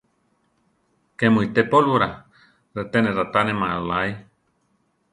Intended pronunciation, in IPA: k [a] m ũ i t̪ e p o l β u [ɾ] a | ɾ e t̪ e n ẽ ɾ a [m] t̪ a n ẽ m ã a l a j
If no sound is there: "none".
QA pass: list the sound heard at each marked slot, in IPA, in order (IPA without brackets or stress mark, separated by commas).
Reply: e, ɾ, none